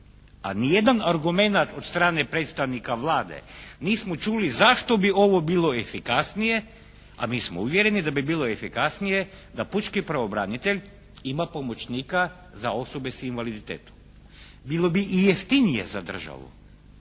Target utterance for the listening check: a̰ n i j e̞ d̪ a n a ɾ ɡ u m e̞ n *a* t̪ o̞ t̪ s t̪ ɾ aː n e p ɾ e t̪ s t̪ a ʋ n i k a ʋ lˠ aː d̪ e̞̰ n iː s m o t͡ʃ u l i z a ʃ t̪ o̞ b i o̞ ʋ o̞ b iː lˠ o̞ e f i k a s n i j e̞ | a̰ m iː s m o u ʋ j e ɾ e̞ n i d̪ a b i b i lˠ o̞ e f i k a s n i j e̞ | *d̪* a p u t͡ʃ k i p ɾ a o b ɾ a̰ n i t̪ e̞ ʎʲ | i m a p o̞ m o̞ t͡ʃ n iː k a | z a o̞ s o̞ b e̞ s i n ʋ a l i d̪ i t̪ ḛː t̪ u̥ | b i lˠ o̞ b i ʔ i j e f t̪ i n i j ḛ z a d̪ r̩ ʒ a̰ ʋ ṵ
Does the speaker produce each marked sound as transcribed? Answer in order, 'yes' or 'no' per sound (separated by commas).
yes, yes